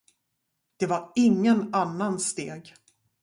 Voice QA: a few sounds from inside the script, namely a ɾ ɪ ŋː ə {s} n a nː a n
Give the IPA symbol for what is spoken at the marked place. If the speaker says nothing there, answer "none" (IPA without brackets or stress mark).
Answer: none